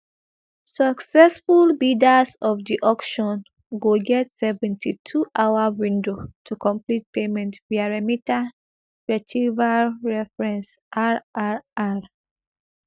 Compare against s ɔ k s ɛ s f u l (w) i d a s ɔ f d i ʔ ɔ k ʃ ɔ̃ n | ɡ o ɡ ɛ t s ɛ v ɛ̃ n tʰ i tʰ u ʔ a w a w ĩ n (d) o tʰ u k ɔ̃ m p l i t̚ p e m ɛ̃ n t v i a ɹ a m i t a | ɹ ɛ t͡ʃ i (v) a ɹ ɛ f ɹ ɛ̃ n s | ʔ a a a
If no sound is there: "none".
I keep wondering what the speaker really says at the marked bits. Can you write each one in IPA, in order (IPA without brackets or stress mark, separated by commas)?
b, d, v